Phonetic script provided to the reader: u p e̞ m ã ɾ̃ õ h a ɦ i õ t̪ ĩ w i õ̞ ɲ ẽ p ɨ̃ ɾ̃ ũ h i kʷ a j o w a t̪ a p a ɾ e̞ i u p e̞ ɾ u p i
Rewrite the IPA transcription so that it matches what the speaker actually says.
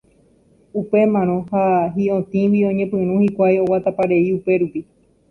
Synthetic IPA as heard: u p e̞ m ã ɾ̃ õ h a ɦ i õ t̪ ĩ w i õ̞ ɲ ẽ p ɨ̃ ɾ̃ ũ h i kʷ a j o w a t̪ a p a ɾ e̞ i u p e̞ ɾ u p i